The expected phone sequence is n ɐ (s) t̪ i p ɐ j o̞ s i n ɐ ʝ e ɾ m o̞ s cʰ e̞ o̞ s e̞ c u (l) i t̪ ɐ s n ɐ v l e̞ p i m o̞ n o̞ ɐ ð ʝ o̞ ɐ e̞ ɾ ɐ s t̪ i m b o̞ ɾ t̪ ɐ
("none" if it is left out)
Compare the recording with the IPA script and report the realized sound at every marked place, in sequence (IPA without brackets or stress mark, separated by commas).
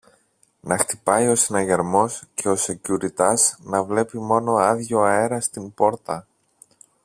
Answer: x, ɾ